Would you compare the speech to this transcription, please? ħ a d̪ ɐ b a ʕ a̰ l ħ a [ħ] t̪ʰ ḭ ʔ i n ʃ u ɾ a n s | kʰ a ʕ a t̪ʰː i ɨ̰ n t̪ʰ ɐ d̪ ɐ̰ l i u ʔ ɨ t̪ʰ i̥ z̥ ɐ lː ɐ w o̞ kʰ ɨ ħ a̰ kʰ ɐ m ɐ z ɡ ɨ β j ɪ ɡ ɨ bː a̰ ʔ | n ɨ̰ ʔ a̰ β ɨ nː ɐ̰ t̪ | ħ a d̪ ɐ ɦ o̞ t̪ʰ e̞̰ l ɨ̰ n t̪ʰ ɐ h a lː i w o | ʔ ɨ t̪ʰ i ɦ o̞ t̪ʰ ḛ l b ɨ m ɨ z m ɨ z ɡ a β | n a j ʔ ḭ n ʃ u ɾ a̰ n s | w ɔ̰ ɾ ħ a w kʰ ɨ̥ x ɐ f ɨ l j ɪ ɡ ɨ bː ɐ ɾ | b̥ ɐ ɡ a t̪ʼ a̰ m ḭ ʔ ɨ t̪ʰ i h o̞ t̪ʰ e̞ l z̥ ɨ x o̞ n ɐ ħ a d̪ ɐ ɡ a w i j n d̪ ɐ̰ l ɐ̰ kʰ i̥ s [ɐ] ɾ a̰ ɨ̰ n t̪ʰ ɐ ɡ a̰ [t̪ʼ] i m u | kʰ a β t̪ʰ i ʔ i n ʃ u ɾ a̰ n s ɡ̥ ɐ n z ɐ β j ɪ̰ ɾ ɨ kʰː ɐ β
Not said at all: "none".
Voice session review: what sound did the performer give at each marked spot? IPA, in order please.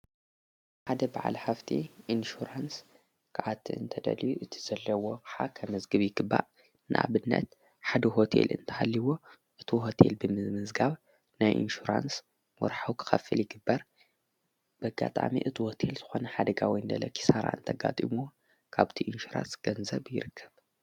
f, a, t̪ʼ

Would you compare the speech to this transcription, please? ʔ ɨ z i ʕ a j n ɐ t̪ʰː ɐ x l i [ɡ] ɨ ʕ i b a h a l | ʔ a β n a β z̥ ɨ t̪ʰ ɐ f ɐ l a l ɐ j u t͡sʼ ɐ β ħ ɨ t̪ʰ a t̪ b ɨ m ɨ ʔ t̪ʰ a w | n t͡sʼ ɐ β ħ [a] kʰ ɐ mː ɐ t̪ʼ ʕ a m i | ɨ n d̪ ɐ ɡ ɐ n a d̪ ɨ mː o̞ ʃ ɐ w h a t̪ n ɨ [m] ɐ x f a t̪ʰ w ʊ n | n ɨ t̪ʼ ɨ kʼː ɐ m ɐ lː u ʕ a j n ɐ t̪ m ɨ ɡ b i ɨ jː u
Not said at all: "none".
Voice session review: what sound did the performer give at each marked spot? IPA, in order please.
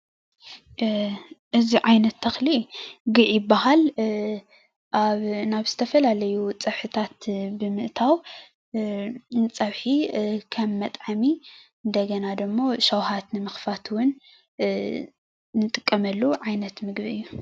ɡ, i, m

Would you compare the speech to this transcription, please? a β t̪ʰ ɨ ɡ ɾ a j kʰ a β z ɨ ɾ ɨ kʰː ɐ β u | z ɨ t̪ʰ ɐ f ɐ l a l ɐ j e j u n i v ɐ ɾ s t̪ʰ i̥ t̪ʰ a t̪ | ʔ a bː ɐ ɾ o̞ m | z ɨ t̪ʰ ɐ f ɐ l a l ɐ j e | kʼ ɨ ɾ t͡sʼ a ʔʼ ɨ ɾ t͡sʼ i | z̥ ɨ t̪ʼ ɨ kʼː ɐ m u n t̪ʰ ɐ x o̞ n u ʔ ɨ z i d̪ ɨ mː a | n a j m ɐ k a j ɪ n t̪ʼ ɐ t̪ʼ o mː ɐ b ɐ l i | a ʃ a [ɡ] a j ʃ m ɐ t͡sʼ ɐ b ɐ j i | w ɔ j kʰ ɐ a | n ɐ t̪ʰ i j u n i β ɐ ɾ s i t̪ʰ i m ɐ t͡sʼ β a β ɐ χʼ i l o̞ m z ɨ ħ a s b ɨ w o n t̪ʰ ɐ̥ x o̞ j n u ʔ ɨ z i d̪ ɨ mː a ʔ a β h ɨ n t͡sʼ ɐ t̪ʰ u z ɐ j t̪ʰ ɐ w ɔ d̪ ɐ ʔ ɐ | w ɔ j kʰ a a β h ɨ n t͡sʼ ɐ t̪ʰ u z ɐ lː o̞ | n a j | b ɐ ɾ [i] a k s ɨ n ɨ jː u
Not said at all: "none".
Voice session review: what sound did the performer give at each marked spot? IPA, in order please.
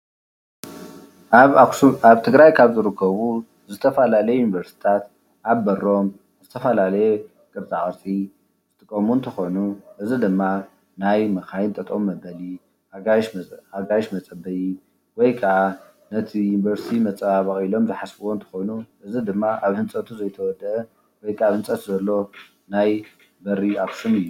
ɡ, i

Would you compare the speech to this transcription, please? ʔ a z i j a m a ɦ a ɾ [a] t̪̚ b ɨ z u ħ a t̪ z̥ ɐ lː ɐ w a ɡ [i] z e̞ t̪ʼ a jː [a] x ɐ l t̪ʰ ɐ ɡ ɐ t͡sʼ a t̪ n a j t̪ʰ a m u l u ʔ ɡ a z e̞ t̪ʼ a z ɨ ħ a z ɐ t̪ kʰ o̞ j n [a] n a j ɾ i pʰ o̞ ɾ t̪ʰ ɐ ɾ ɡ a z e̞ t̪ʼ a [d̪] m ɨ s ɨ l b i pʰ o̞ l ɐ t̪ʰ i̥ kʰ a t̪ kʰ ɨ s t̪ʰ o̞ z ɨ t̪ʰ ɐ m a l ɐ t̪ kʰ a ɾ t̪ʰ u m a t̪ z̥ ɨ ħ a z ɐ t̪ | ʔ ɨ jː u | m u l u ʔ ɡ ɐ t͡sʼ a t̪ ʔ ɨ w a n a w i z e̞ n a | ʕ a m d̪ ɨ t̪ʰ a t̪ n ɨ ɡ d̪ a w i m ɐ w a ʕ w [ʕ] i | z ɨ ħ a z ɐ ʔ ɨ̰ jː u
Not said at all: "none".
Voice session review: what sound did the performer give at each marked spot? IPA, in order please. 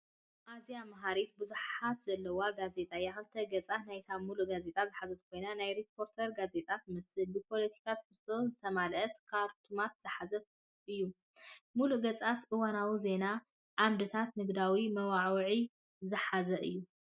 i, a, a, a, t̪, ʕ

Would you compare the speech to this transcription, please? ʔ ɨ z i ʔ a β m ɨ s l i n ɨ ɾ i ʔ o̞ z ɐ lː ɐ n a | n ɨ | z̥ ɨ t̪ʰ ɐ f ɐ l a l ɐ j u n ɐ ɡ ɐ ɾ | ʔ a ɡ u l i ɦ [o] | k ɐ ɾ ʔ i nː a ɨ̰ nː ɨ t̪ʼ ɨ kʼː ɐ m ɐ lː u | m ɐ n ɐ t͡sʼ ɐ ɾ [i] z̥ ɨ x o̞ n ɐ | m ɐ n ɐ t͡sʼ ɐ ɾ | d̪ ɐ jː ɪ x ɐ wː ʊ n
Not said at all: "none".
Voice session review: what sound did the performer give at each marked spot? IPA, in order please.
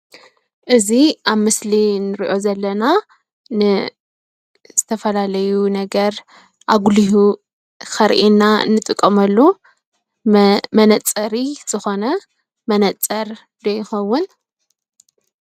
u, i

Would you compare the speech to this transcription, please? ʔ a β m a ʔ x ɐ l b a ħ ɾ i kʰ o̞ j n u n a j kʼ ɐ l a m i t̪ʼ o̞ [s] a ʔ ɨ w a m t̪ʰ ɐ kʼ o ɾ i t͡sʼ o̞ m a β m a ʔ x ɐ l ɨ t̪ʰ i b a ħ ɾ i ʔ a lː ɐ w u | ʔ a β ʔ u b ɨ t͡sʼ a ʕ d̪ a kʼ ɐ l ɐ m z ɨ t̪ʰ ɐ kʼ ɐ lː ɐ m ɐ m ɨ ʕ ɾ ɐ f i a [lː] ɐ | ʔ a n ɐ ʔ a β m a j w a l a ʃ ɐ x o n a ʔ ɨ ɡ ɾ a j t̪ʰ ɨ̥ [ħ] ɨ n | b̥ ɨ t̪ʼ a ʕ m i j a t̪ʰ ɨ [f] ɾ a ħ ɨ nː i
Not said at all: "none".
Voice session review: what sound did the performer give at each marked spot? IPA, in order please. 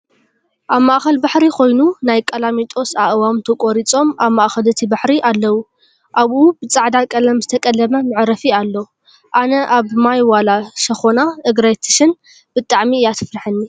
s, lː, ʃ, f

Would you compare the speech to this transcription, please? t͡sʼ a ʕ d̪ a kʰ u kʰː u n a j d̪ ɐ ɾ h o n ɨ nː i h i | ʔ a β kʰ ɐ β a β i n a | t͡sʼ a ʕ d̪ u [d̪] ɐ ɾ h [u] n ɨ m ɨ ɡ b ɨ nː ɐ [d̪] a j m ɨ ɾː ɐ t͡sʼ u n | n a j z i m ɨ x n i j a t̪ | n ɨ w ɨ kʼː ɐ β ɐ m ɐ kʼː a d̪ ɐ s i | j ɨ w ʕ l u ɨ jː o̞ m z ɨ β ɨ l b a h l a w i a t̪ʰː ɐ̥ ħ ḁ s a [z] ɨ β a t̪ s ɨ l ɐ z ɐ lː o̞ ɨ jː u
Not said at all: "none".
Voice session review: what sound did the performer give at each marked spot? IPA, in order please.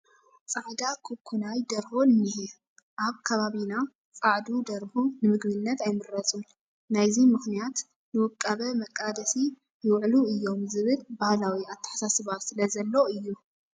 d̪, u, t̪, s

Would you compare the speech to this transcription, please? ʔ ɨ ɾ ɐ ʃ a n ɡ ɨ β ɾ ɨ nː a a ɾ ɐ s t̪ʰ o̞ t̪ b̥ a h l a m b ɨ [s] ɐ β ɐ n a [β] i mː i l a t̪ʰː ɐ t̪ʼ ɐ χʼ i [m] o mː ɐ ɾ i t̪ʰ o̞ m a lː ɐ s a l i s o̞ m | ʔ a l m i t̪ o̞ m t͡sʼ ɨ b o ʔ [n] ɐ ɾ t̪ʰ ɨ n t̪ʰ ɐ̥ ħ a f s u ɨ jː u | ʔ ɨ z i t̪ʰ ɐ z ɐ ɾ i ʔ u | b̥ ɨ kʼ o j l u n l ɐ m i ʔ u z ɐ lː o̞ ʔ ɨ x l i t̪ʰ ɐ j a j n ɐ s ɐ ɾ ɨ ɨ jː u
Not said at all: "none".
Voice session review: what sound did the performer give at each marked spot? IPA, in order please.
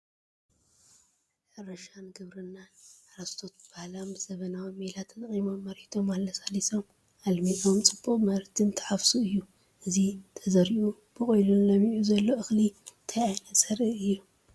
z, w, m, m

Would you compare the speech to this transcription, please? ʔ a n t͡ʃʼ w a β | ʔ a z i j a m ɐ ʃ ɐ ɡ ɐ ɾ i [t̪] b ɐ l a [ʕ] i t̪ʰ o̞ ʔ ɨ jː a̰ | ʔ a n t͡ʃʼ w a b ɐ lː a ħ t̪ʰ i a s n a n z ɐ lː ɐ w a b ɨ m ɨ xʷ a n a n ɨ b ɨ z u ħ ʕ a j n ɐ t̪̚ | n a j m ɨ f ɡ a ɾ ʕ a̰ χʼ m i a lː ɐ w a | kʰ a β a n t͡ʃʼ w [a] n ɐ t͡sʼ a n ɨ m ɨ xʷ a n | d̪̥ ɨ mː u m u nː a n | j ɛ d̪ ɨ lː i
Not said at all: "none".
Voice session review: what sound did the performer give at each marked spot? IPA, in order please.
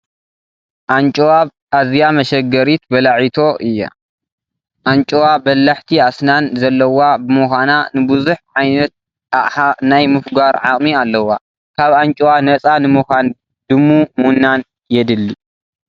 t̪, ʕ, a

